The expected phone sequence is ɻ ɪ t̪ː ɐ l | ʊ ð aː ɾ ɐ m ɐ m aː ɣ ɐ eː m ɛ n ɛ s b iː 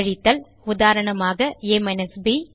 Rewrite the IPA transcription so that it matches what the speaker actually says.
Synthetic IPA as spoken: ɻ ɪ t̪ː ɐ l | ʊ ð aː ɾ ɐ ɳ ɐ m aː ɣ ɐ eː m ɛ n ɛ s b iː